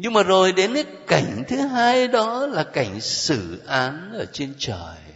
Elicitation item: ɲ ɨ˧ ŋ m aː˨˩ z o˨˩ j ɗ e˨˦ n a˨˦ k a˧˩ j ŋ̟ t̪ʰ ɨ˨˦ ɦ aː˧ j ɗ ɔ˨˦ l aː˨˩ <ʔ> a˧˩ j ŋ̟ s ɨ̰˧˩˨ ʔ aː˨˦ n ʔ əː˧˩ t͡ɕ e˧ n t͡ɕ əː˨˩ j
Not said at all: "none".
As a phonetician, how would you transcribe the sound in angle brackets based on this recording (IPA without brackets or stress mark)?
k